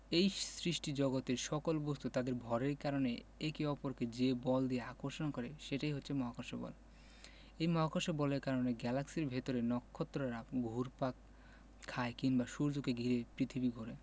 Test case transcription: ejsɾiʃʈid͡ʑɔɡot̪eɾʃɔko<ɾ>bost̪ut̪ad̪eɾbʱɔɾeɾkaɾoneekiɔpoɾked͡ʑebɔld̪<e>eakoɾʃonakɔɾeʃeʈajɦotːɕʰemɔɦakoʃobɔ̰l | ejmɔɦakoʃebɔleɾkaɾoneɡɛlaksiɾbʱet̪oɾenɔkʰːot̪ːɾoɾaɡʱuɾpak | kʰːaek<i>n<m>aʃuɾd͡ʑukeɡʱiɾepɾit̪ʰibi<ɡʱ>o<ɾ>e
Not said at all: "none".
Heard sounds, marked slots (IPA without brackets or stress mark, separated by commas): l, i, i, b, ɡʱ, ɾ